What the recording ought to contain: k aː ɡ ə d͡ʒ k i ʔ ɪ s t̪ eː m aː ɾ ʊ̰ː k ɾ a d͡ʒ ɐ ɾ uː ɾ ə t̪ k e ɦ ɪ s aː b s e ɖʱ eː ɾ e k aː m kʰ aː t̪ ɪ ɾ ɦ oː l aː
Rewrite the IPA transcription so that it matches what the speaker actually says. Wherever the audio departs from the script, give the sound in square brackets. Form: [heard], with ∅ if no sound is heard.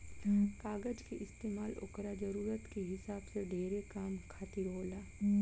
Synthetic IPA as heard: k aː ɡ ə d͡ʒ k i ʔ ɪ s t̪ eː m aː [l] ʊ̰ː k ɾ a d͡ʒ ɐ ɾ uː ɾ ə t̪ k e ɦ ɪ s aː b s e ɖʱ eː ɾ e k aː m kʰ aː t̪ ɪ ɾ ɦ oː l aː